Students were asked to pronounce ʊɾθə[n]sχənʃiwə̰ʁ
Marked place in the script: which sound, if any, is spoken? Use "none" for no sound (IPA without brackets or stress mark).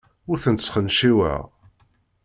n